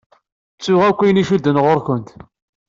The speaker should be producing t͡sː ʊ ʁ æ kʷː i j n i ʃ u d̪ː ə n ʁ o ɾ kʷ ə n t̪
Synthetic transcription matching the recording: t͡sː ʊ ʁ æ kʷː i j n i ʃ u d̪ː ə n ʁ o ɾ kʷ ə n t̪